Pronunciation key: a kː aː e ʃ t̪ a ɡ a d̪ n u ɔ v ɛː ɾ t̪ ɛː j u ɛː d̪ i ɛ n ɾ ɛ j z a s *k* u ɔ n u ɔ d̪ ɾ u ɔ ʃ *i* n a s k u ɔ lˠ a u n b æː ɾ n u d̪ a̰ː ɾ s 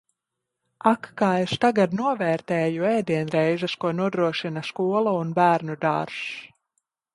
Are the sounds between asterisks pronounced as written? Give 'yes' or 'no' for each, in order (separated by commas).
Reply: yes, yes